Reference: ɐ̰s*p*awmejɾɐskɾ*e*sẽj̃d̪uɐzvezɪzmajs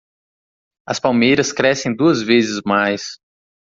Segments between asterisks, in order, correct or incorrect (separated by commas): correct, incorrect